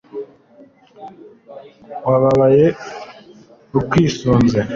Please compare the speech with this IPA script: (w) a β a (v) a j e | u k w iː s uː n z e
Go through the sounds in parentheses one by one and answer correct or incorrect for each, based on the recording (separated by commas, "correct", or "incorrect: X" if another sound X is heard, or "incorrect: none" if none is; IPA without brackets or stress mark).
correct, incorrect: β